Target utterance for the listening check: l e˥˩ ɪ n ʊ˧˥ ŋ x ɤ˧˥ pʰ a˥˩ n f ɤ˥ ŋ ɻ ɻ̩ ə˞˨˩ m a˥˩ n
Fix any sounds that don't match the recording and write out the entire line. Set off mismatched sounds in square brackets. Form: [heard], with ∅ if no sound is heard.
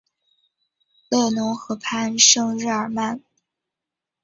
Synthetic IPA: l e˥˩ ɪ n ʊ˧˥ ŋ x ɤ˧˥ pʰ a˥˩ n [ʂ] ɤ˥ ŋ ɻ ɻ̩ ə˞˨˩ m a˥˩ n